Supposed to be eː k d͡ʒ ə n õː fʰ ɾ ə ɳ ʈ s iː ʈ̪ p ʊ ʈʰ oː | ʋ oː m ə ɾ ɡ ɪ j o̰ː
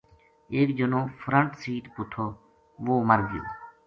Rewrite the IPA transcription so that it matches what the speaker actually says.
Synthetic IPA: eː k d͡ʒ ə n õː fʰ ɾ ə ɳ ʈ s iː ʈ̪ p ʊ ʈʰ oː | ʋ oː m ə ɾ ɡ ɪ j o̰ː